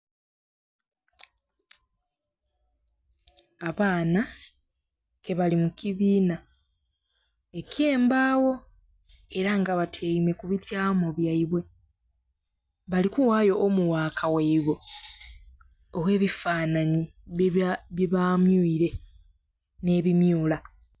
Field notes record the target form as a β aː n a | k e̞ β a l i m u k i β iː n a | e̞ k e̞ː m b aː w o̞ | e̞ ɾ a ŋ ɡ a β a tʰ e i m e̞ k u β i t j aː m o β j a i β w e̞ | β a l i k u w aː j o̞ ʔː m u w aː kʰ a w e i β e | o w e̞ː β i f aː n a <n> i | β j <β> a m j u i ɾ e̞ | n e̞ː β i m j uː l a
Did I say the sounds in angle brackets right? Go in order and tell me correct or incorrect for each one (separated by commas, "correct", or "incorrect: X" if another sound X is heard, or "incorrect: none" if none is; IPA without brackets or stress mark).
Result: incorrect: ɲ, correct